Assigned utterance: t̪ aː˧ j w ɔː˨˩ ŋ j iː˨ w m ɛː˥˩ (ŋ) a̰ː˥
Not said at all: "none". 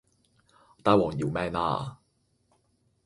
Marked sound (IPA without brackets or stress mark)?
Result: n